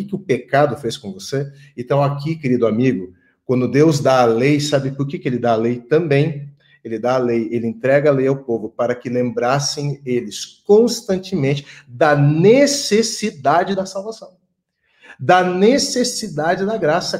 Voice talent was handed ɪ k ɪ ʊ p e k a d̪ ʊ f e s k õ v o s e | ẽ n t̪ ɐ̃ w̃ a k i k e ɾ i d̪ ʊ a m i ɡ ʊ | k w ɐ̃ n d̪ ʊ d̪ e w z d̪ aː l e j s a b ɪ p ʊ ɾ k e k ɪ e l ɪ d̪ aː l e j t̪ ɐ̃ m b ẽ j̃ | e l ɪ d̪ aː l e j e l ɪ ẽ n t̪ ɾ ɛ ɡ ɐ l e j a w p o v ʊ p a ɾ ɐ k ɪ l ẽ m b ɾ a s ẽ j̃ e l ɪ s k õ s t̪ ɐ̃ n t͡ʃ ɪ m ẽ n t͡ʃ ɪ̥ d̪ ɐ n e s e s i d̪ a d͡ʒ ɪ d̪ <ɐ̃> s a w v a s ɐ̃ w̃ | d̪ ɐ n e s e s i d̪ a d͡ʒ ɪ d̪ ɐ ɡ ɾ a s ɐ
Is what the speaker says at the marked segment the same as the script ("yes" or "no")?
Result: no